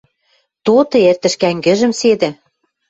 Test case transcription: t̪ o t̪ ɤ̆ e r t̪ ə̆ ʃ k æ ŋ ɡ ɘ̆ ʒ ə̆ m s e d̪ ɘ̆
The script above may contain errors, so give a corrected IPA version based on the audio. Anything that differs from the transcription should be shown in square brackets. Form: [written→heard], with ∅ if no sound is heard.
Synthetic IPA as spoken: t̪ o t̪ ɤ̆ e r t̪ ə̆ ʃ k æ ŋ ɡ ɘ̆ ʒ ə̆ m s e d̪ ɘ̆